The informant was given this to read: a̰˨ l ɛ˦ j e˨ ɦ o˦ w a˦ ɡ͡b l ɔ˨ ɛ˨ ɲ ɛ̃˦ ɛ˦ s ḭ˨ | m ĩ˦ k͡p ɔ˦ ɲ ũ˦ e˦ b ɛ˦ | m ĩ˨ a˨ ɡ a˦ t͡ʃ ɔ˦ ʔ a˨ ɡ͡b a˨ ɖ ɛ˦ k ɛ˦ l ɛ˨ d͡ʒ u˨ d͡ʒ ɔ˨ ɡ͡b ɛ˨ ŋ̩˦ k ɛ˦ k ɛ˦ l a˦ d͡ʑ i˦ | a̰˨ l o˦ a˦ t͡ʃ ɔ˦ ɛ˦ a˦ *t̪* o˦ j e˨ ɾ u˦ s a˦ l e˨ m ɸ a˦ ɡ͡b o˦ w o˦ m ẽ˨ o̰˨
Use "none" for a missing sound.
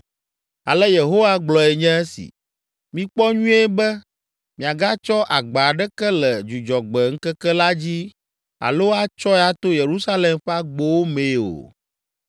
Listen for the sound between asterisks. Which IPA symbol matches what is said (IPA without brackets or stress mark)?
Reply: t̪